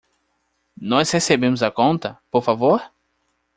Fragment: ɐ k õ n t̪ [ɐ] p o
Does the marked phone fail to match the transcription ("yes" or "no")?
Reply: no